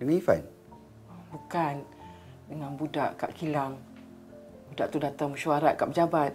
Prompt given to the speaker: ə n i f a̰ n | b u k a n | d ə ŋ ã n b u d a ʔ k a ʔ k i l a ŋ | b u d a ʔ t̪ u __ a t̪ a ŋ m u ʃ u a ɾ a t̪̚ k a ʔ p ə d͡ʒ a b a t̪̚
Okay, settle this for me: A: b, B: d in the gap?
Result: B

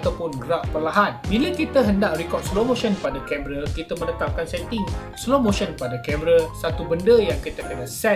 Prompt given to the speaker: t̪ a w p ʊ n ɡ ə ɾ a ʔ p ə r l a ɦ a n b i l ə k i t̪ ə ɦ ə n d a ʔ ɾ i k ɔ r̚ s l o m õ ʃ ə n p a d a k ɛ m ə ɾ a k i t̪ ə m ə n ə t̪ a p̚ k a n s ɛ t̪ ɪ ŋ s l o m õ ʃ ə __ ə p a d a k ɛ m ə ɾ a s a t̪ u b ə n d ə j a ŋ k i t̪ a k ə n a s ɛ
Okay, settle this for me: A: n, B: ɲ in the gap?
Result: A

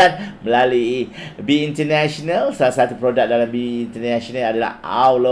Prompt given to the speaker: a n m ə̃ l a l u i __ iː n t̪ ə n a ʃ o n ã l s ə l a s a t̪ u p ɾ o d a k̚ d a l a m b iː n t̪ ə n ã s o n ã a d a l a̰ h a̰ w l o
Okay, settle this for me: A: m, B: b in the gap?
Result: B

